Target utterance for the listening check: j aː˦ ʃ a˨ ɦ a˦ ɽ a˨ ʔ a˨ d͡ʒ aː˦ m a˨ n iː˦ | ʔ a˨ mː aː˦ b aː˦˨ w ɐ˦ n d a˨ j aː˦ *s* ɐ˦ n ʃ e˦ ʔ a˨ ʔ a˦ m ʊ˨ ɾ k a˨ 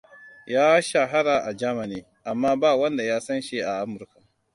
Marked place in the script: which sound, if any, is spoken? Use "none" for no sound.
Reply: s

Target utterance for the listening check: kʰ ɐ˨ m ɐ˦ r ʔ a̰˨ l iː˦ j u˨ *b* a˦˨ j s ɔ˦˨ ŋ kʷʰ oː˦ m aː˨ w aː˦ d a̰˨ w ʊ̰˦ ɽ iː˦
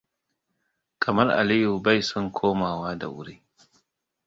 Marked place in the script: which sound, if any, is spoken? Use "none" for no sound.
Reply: b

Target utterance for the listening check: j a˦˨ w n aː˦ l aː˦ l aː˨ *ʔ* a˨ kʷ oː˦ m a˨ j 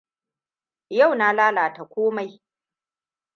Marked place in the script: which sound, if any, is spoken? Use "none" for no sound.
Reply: t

